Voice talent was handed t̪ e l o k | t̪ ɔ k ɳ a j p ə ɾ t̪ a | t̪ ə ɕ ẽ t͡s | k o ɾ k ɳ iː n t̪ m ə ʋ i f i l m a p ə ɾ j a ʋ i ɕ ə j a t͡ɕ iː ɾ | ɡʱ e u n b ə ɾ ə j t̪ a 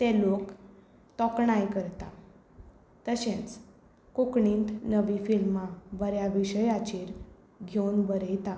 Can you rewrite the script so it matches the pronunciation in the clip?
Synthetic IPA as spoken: t̪ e l o k | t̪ ɔ k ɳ a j k ə ɾ t̪ a | t̪ ə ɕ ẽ t͡s | k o k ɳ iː n t̪ n ə ʋ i f i l m a b ə ɾ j a ʋ i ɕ ə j a t͡ɕ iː ɾ | ɡʱ e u n b ə ɾ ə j t̪ a